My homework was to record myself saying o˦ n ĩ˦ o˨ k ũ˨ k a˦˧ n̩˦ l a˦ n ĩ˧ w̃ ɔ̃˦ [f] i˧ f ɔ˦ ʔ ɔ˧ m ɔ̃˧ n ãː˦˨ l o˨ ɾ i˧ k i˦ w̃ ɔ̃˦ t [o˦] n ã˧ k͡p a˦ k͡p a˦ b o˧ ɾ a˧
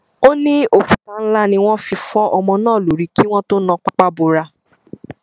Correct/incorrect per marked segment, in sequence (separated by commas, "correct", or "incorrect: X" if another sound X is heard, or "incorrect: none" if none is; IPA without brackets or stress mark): correct, correct